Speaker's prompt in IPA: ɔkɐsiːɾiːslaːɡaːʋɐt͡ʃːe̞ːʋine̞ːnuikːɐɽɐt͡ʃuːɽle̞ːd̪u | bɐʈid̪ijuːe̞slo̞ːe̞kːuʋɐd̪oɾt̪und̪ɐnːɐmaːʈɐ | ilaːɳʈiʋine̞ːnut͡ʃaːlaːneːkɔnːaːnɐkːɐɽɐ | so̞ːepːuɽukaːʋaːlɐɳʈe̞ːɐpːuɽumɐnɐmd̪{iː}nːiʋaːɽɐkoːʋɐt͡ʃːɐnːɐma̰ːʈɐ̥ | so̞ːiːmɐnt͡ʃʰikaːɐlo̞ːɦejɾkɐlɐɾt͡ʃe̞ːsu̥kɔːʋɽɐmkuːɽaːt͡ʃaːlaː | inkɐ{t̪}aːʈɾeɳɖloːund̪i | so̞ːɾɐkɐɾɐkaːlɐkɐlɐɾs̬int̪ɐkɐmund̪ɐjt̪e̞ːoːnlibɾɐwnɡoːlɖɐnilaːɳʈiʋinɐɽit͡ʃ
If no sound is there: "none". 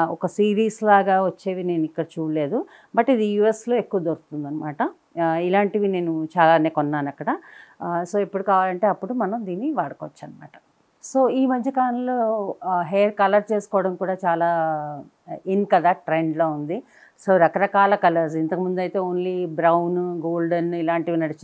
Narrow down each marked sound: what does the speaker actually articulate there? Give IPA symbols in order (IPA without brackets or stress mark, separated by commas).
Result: iː, d̪